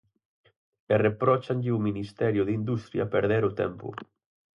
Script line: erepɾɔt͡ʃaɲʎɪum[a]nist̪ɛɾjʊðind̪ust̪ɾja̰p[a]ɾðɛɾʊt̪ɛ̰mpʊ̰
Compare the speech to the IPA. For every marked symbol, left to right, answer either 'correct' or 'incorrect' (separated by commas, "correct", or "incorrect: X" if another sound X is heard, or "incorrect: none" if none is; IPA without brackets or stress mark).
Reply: incorrect: i, incorrect: e